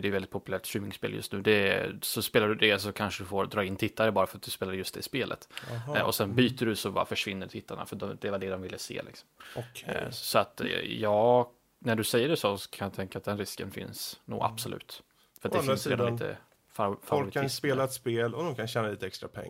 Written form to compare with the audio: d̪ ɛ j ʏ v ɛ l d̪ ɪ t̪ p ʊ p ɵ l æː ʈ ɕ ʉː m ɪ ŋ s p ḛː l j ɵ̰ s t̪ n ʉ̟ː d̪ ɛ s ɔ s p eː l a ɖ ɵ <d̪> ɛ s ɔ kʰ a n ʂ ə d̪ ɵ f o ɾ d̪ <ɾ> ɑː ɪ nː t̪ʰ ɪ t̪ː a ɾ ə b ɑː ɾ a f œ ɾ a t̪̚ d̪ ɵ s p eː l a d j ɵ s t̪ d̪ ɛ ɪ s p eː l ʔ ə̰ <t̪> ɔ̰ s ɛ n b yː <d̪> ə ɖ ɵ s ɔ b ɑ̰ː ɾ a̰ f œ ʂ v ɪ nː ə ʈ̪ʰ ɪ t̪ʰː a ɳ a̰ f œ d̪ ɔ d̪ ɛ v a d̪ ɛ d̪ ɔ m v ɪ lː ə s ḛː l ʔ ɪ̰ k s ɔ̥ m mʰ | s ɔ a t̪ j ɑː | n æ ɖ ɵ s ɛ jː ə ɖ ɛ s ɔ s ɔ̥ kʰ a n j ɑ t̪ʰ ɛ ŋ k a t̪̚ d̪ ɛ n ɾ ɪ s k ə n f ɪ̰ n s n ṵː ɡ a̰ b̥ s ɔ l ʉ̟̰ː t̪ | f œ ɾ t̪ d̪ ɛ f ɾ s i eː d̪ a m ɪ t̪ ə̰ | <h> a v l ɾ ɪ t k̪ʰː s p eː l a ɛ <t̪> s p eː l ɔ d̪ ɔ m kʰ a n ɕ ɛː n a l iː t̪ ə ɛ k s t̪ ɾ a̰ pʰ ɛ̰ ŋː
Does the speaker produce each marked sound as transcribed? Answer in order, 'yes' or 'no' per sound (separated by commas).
yes, yes, yes, no, no, yes